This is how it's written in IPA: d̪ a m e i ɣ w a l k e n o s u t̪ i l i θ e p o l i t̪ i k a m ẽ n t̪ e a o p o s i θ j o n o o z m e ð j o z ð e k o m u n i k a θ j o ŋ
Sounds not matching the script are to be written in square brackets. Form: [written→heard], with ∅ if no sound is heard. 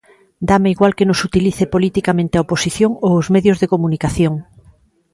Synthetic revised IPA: d̪ a m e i ɣ w a l k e n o s u t̪ i l i θ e p o l i t̪ i k a m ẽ n t̪ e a o p o s i θ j o [n→ŋ] o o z m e ð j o z ð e k o m u n i k a θ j o ŋ